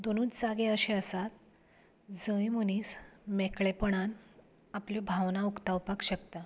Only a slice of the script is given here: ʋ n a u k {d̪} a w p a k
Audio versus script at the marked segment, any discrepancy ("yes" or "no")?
yes